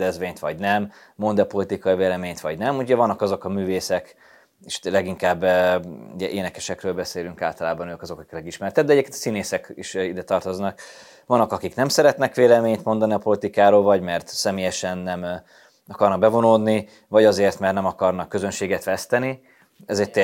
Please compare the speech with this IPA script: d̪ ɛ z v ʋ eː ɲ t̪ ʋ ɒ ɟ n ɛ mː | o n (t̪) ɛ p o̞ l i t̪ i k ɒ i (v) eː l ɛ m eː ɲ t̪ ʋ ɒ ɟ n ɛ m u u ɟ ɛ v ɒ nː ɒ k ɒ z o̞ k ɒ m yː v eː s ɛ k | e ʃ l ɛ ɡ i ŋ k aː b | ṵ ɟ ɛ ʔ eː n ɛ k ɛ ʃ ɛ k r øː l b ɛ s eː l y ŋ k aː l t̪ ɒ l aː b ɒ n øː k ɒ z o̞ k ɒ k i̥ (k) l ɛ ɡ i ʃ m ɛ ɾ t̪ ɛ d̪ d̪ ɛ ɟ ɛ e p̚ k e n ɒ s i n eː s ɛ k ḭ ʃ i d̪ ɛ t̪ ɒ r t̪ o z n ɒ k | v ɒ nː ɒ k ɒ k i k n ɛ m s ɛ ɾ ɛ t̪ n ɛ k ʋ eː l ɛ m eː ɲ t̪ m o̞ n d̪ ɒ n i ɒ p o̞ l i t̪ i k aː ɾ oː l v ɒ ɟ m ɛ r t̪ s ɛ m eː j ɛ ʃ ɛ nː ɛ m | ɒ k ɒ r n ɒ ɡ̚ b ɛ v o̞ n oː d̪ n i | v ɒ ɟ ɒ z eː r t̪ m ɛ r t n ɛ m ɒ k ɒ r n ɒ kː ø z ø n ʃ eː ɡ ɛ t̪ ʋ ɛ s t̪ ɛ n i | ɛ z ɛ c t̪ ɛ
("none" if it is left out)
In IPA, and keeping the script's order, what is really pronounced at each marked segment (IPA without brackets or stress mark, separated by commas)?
d̪, v, k